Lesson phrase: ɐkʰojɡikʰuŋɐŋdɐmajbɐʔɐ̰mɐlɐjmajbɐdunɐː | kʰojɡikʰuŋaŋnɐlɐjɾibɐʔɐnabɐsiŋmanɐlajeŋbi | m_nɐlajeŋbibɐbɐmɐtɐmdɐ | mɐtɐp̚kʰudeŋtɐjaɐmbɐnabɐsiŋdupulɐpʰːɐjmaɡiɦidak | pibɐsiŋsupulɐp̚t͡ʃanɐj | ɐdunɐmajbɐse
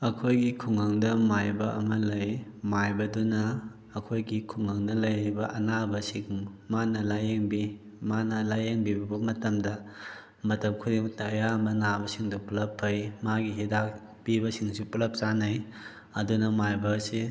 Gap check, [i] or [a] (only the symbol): a